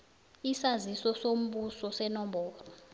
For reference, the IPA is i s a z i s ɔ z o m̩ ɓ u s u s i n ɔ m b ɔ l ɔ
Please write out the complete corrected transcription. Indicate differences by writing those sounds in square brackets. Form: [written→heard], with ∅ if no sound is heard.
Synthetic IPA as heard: i s a z i s ɔ [z→s] o m̩ ɓ u s [u→ɔ] s [i→ɛ] n ɔ m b [ɔ→ɔː] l ɔ

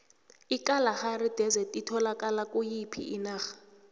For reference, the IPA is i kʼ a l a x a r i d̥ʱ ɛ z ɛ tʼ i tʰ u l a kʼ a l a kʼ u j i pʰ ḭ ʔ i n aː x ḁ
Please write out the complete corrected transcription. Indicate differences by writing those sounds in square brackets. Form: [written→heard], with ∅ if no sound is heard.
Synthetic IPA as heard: i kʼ a l a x a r i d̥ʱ ɛ z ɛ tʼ i tʰ [u→ɔ] l a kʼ a l a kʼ u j i pʰ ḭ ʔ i n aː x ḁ

